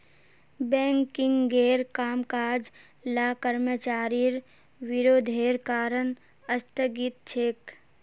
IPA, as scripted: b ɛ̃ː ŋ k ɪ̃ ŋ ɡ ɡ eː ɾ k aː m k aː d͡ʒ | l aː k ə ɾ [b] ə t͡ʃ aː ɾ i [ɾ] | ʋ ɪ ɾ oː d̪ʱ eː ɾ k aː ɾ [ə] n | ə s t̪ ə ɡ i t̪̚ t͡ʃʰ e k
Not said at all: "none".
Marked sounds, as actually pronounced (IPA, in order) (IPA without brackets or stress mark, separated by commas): m, ɾ, ə